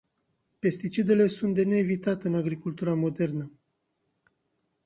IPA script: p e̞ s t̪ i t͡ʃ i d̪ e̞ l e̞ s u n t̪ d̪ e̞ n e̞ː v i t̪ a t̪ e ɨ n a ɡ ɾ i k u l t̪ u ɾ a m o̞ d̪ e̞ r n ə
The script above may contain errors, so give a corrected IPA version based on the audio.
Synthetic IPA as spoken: p e̞ s t̪ i t͡ʃ i d̪ e̞ l e̞ s u n t̪ d̪ e̞ n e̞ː v i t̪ a t̪ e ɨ n a ɡ ɾ i k u l t̪ u ɾ a m o̞ d̪ e̞ r n ə